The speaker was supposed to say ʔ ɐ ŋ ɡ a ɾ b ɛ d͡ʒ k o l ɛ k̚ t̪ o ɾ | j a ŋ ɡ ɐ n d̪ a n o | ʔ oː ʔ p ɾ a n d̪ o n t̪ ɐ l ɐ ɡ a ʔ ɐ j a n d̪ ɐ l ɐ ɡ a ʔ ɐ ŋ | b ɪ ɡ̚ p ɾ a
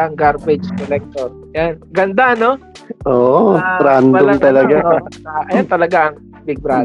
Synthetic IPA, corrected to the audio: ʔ ɐ ŋ ɡ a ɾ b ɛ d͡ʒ k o l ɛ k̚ t̪ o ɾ | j a n ɡ ɐ n d̪ a n o | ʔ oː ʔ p ɾ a n d̪ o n t̪ ɐ l ɐ ɡ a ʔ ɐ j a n t̪ ɐ l ɐ ɡ a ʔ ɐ ŋ | b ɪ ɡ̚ b ɾ a